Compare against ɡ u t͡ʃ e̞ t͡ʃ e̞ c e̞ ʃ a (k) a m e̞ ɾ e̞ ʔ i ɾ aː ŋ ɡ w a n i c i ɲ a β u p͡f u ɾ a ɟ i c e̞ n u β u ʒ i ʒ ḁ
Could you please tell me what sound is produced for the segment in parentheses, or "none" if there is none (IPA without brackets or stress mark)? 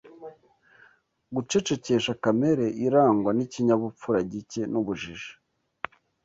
k